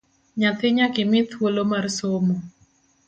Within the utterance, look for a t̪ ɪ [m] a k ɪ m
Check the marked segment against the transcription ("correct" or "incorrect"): incorrect